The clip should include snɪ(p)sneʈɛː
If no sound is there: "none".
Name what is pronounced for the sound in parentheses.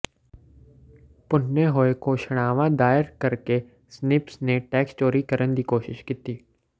p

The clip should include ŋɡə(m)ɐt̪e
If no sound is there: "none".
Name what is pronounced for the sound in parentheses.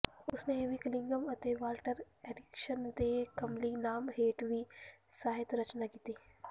m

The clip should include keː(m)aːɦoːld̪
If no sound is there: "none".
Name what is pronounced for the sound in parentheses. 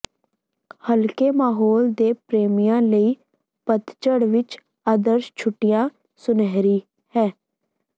m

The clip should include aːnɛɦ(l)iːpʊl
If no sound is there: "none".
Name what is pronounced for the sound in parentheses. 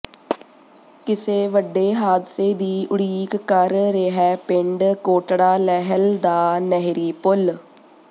ɾ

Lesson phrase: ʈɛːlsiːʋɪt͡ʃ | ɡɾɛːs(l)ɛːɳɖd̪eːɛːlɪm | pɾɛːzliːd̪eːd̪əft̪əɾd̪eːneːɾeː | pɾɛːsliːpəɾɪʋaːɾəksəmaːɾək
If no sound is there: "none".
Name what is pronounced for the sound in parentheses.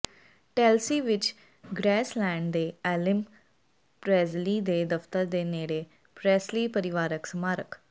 l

